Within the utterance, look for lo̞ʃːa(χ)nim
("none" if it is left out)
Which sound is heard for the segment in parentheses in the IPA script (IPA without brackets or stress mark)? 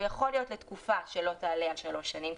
none